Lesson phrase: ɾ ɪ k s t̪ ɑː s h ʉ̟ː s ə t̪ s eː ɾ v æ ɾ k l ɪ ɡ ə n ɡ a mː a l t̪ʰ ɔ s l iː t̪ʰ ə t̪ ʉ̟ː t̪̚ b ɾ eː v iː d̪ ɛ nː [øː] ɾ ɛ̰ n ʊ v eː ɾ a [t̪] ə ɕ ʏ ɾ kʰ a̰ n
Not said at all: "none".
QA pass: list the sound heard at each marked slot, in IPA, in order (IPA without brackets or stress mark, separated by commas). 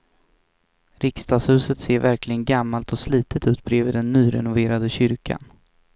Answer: yː, d̪